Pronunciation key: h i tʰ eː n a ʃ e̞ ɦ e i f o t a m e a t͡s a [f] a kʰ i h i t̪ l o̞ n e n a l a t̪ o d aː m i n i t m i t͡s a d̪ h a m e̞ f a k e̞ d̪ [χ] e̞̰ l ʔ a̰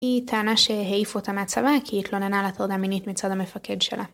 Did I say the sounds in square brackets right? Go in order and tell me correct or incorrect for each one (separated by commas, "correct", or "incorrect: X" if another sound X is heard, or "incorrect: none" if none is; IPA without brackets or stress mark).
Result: incorrect: v, incorrect: ʃ